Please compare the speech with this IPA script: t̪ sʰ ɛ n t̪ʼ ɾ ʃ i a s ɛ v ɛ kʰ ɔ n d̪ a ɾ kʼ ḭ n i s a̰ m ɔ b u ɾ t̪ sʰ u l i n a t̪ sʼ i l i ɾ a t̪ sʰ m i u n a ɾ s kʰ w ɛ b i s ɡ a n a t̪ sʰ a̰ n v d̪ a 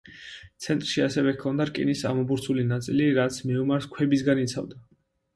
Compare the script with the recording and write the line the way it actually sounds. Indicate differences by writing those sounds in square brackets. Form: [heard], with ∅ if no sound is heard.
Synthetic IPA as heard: t̪ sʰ ɛ n t̪ʼ ɾ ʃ i a s ɛ v ɛ kʰ ɔ n d̪ a ɾ kʼ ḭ n i s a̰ m ɔ b u ɾ t̪ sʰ u l i n a t̪ sʼ i l i ɾ a t̪ sʰ m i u [m] a ɾ s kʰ w ɛ b i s ɡ a n [i] t̪ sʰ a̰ [∅] v d̪ a